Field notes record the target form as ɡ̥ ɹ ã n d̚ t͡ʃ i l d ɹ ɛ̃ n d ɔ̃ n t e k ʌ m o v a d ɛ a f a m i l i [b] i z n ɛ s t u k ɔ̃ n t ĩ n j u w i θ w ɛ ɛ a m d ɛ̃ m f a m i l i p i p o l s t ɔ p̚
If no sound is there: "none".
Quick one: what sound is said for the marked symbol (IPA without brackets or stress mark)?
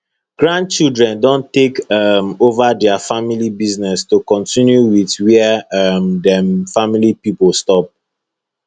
b